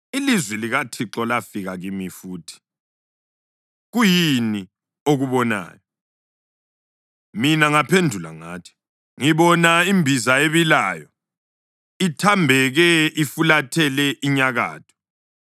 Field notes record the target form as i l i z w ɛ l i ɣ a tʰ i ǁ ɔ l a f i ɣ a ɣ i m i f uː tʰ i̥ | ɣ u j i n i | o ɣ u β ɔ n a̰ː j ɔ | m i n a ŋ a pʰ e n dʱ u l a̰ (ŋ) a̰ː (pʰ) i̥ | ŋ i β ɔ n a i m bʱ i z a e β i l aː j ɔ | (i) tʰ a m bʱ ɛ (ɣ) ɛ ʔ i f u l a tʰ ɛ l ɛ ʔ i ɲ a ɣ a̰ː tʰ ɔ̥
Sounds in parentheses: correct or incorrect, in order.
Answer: correct, incorrect, correct, correct

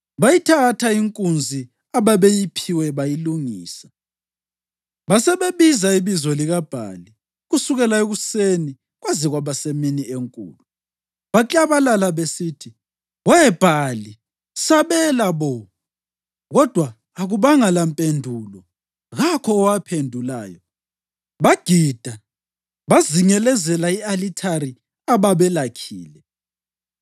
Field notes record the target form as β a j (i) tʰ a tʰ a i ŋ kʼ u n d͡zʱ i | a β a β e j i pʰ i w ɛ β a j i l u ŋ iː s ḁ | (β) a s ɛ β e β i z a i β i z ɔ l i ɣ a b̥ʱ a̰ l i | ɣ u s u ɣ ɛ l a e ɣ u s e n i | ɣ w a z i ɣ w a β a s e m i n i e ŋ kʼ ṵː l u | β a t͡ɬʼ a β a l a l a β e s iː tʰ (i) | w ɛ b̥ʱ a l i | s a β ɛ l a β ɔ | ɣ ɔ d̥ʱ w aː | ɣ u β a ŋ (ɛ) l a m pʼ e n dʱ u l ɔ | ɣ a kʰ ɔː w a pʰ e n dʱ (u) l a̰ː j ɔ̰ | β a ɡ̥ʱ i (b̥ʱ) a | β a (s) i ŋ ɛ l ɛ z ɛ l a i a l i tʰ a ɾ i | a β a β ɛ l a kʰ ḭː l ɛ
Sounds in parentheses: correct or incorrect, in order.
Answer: correct, correct, correct, incorrect, correct, incorrect, incorrect

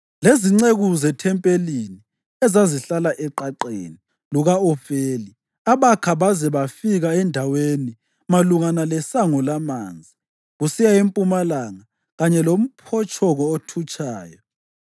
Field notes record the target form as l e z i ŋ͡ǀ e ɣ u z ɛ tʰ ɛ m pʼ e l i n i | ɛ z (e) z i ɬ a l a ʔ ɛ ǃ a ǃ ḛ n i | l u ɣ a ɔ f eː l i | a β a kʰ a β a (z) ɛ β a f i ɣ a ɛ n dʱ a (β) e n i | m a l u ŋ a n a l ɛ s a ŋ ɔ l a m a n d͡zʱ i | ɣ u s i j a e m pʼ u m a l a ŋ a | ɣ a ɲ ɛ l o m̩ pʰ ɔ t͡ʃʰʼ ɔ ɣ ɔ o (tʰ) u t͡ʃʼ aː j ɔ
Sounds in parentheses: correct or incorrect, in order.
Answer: incorrect, correct, incorrect, correct

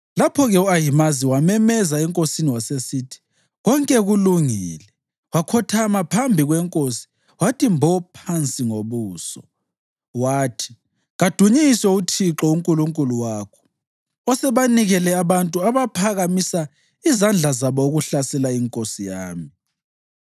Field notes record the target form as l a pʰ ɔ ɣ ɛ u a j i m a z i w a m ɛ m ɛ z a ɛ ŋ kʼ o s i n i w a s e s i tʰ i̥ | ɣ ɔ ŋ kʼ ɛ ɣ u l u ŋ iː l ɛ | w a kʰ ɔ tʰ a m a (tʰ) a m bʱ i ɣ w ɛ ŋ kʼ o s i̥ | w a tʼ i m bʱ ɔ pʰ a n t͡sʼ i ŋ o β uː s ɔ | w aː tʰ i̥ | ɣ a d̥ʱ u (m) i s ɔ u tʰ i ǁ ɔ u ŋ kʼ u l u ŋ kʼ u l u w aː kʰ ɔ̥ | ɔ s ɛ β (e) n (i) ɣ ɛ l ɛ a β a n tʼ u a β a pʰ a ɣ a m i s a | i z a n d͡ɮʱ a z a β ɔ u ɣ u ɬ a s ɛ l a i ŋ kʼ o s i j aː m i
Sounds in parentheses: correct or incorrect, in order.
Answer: incorrect, incorrect, incorrect, correct

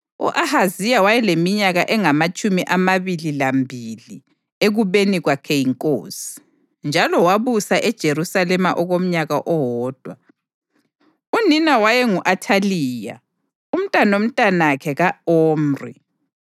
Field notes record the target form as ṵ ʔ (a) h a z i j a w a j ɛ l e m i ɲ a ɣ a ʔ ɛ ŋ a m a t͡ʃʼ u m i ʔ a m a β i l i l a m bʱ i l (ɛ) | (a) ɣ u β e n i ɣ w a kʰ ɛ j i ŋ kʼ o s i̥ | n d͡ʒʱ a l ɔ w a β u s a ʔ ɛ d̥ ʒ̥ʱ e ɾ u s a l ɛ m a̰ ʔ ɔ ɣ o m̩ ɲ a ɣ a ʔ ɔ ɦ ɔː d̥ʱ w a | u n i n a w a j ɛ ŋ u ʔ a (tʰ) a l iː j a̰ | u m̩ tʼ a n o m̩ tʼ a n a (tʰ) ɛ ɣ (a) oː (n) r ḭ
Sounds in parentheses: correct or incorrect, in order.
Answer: correct, incorrect, incorrect, correct, incorrect, correct, incorrect

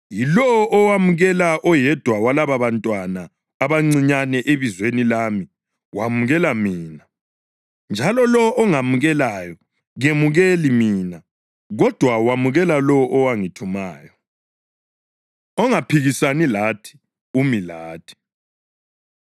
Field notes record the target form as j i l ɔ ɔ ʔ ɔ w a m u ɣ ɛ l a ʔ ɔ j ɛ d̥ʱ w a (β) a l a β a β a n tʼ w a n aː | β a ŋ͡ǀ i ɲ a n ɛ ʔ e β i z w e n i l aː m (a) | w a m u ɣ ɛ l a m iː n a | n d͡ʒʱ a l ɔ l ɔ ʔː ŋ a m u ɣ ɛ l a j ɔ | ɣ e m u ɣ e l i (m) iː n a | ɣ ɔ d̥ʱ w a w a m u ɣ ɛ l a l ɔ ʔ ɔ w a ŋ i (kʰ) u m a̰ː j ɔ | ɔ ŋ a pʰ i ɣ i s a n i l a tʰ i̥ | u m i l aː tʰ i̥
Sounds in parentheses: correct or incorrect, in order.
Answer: incorrect, incorrect, correct, incorrect

